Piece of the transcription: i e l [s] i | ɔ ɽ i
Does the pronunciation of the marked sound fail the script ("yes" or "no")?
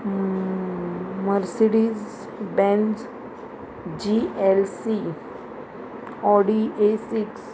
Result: no